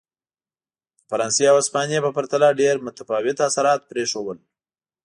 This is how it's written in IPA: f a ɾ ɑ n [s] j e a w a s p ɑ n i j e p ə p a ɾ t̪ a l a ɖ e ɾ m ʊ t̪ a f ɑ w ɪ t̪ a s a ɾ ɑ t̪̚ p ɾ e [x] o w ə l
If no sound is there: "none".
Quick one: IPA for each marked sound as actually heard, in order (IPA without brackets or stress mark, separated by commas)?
s, ʂ